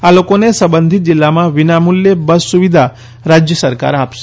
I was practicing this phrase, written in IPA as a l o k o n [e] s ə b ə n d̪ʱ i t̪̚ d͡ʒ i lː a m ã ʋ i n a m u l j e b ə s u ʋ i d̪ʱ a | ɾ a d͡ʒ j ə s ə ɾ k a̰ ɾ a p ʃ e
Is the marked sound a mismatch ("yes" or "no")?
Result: no